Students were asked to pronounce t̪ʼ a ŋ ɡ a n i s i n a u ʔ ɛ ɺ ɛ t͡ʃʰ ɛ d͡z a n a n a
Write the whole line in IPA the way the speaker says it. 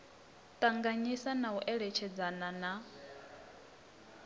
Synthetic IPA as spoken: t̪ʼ a ŋ ɡ a ɲ i s a n a u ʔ ɛ ɺ ɛ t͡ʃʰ ɛ d͡z a n a n a